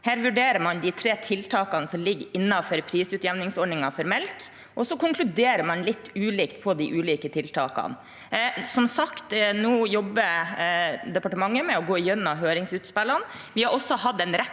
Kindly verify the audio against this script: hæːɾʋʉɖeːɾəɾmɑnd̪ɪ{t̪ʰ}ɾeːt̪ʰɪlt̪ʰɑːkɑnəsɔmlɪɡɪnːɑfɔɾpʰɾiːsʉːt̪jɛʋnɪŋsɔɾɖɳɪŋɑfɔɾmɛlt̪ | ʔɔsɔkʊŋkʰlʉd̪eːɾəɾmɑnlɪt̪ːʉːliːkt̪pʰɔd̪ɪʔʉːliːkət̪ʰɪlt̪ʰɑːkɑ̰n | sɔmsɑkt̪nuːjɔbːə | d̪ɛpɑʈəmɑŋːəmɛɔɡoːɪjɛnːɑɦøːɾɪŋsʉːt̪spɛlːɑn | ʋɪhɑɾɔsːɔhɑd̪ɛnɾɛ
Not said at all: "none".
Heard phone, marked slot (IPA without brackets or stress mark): t̪ʰ